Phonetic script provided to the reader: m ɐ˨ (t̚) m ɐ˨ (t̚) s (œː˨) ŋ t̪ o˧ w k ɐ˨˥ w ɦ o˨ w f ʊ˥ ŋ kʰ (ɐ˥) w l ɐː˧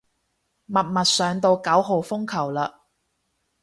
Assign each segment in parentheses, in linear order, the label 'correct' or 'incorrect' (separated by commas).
correct, correct, correct, incorrect